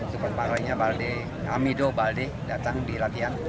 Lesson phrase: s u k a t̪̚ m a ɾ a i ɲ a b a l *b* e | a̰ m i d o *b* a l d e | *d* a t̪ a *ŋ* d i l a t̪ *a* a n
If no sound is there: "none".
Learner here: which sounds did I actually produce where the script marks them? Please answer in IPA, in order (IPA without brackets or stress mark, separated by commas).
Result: d, b, d, ŋ, i